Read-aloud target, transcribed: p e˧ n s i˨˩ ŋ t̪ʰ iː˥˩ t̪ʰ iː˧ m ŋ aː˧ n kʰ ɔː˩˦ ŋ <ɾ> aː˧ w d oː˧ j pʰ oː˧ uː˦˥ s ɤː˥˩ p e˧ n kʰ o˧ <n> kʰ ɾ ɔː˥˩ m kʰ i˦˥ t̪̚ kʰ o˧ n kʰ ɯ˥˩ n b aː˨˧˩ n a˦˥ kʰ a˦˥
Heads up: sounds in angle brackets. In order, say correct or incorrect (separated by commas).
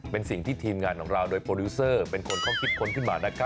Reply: correct, correct